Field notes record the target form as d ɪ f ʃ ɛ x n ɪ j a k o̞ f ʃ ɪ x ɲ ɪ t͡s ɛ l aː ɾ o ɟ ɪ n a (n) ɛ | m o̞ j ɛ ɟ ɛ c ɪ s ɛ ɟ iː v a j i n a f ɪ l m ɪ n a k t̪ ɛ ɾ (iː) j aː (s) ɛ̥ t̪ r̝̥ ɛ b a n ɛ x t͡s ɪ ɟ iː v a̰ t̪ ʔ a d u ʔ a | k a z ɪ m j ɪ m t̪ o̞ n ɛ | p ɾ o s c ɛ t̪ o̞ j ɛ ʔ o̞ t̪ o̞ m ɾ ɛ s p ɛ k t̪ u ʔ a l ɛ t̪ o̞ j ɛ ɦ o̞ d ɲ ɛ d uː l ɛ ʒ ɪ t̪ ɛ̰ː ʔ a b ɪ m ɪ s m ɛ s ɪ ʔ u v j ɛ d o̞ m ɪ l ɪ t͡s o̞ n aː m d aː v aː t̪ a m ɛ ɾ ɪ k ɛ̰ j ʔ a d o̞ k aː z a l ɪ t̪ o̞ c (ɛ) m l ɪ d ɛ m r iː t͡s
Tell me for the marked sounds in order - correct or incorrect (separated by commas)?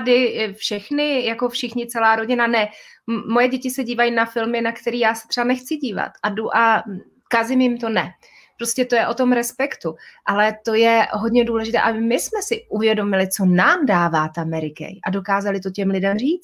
correct, correct, correct, correct